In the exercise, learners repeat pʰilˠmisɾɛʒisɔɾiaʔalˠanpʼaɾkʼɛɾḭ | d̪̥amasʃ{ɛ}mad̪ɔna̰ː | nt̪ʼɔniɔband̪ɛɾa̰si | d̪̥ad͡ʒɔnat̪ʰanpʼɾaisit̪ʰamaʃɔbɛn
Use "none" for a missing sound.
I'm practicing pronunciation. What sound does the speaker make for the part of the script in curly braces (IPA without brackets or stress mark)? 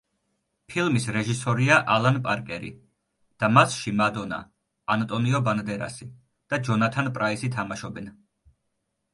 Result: i